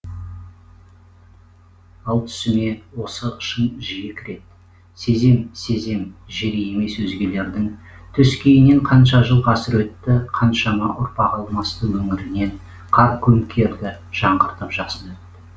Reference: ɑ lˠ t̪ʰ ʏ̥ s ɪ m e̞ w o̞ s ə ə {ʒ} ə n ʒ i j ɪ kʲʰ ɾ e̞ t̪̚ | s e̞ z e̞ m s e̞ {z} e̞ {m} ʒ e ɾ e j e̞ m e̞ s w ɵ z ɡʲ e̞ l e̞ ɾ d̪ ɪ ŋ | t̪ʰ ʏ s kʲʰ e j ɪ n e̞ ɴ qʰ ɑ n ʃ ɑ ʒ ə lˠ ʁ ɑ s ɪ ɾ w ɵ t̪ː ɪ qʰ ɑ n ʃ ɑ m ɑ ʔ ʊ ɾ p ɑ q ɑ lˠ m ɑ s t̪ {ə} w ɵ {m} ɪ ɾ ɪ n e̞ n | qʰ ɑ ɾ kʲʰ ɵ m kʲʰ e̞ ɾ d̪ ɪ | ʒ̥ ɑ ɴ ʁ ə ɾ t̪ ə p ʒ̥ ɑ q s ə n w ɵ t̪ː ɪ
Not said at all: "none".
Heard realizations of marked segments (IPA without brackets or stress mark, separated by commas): ʃ, z, m, ə, ŋ